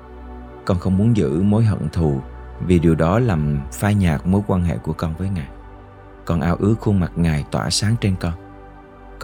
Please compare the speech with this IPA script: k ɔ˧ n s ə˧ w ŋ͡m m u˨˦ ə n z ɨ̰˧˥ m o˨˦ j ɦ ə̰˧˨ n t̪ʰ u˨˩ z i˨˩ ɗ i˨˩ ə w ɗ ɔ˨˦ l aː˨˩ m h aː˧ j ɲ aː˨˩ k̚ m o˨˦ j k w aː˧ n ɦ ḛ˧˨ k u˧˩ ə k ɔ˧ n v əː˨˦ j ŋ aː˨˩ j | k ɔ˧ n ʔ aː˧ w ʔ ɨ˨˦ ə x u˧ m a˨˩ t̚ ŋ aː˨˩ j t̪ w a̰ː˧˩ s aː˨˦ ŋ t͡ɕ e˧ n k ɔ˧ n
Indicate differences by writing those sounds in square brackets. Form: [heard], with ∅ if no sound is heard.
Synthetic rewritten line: k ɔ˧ n [x] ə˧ w ŋ͡m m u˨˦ ə n z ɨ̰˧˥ m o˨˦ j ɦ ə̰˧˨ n t̪ʰ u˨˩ [v] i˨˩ ɗ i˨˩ ə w ɗ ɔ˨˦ l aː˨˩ m [f] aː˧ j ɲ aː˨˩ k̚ m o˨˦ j k w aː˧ n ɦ ḛ˧˨ k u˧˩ ə k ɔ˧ n v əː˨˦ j ŋ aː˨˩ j | k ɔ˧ n ʔ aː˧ w ʔ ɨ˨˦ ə x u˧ m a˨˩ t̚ ŋ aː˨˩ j t̪ w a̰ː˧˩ s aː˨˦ ŋ t͡ɕ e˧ n k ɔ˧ n